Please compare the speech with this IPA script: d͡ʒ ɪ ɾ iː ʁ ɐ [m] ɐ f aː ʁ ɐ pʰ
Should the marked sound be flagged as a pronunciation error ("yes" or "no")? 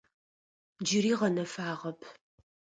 yes